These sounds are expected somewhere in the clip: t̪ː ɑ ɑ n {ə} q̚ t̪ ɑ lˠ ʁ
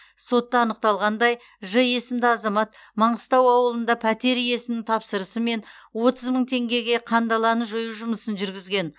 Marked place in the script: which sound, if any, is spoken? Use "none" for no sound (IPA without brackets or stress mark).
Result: ə